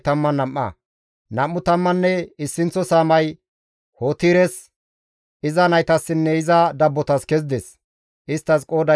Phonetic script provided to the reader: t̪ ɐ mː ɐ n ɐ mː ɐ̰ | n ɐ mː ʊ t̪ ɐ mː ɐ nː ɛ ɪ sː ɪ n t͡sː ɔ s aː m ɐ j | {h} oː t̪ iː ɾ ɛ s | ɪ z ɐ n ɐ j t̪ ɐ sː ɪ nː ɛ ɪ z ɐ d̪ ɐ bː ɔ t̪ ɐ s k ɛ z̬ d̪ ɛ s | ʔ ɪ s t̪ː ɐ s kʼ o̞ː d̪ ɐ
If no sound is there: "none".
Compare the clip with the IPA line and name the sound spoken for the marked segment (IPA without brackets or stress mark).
h